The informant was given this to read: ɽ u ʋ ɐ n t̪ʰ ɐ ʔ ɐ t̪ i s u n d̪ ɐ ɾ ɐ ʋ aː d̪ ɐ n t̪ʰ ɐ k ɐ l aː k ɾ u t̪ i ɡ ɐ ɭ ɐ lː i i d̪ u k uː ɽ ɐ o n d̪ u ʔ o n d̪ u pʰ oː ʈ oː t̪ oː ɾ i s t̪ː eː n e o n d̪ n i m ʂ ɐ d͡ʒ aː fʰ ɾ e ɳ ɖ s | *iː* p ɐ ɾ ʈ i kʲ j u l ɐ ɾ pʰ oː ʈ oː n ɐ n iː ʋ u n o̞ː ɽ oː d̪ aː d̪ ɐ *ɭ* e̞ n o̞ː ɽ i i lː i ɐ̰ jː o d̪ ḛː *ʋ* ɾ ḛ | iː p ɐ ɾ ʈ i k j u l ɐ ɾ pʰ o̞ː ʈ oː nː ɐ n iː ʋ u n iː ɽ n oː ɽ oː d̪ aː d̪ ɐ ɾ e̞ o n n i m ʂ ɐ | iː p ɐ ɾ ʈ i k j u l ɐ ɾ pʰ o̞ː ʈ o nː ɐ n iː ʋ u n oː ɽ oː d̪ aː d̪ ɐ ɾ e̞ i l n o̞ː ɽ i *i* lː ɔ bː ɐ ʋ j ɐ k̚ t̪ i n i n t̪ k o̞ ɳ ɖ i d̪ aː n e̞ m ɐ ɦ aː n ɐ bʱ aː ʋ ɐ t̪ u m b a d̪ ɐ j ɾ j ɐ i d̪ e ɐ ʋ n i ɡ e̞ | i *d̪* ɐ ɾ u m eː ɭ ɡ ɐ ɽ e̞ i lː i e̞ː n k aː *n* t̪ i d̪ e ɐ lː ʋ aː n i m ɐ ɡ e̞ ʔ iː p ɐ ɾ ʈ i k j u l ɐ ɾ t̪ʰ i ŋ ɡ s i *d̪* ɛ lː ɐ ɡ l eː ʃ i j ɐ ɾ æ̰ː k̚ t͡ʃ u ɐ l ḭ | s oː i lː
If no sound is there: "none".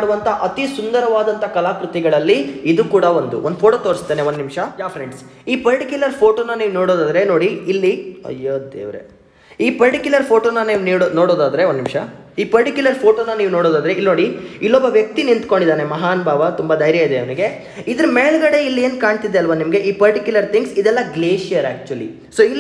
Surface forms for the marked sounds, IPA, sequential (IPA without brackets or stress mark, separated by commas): iː, ɾ, ʋ, i, d̪, ɳ, d̪